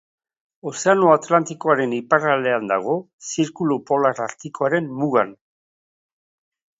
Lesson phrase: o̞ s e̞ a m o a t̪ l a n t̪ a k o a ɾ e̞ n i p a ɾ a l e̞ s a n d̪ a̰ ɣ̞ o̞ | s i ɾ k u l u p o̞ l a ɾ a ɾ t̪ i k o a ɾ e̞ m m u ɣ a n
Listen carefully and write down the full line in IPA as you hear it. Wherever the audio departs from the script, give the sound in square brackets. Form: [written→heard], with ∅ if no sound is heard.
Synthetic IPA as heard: o̞ s e̞ a [m→n] o a t̪ l a n t̪ [a→i] k o a ɾ e̞ n i p a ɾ a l e̞ [s→∅] a n d̪ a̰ ɣ̞ o̞ | s i ɾ k u l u p o̞ l a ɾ a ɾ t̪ i k o a ɾ e̞ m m u ɣ a n